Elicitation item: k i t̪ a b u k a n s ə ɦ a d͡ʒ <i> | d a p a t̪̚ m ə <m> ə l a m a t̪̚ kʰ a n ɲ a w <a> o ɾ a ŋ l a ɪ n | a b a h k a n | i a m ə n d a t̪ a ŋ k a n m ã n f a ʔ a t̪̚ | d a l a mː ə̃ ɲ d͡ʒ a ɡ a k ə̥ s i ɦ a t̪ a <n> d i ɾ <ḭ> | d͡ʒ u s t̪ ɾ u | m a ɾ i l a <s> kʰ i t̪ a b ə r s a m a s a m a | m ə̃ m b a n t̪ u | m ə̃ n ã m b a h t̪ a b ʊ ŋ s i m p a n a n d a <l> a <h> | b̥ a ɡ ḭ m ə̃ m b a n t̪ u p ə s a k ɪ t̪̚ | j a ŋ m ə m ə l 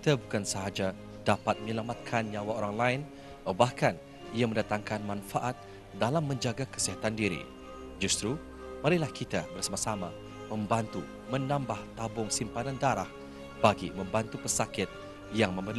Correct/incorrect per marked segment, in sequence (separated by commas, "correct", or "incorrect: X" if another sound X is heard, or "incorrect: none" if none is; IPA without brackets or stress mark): incorrect: a, incorrect: ɲ, correct, correct, correct, incorrect: h, incorrect: ɾ, correct